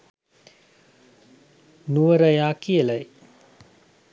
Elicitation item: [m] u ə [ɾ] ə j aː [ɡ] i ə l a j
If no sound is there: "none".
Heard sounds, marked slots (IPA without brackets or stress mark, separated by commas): n, ɾ, k